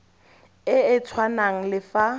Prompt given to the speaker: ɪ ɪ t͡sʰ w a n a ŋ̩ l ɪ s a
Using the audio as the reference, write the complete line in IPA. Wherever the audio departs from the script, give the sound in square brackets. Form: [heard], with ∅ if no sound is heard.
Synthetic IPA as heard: ɪ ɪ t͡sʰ w a n a ŋ̩ l ɪ [f] a